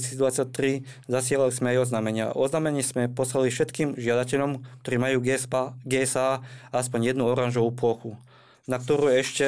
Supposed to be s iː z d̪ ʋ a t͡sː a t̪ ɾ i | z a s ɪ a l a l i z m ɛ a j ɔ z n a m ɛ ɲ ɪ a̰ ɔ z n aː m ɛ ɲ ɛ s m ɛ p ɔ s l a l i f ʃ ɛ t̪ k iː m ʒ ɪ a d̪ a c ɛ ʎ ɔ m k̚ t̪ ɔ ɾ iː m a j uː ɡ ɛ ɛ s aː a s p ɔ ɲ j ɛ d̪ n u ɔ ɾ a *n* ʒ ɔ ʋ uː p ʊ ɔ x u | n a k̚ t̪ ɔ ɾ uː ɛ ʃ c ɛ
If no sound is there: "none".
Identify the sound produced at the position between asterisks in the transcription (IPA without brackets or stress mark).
n